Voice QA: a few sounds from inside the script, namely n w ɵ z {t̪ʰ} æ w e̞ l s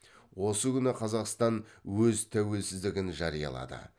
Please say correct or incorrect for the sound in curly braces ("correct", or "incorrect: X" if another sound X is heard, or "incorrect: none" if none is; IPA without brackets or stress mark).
correct